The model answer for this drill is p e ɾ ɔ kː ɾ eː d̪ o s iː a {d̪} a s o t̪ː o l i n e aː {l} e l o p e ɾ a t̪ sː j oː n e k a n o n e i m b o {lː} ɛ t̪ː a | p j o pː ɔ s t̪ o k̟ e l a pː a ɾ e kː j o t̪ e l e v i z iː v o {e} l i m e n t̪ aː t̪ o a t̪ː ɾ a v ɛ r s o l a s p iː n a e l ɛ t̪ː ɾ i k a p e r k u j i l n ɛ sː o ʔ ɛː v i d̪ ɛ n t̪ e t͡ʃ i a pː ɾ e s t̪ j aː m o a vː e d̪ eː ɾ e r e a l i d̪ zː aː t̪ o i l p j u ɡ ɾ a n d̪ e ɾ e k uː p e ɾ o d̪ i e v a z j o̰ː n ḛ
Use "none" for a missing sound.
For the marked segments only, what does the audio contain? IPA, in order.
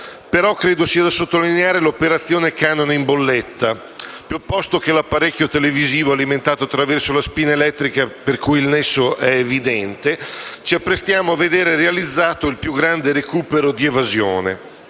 d̪, ɾ, lː, a

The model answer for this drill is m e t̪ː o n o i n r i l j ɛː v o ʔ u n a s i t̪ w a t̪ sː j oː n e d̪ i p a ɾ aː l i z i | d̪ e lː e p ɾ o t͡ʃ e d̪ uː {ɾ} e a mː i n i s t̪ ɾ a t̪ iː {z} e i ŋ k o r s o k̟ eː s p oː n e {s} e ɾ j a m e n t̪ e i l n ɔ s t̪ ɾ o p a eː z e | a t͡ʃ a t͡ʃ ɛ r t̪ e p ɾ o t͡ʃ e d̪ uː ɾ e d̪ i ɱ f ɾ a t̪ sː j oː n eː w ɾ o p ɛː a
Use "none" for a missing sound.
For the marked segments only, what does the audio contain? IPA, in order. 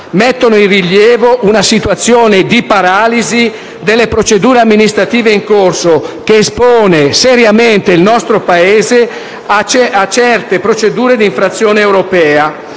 ɾ, v, s

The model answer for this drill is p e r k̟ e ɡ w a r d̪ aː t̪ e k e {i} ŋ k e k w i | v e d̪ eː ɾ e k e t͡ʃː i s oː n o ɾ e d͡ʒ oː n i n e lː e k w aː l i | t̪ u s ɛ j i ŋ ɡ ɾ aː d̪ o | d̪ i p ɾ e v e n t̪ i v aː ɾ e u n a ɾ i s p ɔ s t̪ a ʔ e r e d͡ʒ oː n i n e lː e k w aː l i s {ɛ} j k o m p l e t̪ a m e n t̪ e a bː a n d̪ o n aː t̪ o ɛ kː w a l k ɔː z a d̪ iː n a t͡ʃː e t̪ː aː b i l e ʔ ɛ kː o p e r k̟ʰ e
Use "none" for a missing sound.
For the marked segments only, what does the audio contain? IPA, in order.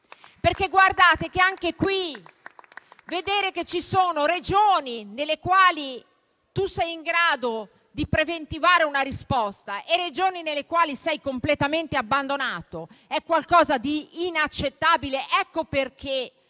a, ɛ

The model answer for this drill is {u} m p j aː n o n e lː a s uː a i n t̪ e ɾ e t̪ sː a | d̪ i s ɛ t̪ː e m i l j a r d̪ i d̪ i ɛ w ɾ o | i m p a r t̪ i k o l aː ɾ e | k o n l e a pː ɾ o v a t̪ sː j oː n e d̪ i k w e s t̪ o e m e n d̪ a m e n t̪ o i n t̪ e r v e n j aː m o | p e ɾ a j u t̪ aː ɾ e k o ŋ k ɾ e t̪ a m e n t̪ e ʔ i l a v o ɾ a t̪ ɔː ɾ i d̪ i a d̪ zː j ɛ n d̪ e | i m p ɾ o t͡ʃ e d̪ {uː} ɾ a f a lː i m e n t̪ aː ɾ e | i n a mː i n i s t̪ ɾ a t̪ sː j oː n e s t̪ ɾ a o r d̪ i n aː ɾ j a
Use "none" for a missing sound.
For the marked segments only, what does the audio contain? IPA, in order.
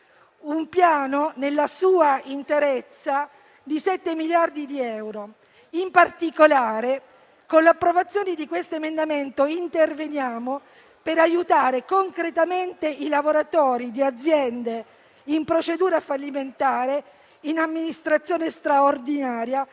u, uː

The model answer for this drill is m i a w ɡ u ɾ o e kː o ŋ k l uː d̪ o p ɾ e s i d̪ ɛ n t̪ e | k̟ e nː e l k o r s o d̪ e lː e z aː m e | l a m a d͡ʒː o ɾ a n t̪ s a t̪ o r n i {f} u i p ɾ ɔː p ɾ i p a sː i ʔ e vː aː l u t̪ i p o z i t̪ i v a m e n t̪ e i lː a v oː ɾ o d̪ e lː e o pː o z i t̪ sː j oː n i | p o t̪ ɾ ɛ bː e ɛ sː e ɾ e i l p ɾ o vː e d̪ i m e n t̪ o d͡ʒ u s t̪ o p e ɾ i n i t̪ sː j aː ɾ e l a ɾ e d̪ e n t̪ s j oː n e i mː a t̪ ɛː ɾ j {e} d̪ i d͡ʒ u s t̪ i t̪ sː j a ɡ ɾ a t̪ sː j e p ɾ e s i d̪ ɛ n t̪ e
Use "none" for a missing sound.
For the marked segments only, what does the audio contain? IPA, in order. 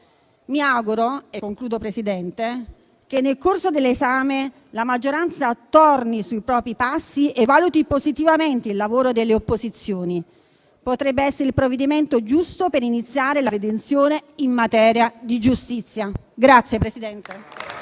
s, a

